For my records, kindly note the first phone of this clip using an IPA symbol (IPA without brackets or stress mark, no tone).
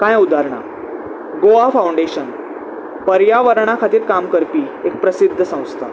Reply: k